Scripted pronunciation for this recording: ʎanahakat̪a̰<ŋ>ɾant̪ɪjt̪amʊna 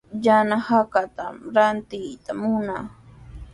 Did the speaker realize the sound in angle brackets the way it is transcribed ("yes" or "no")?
no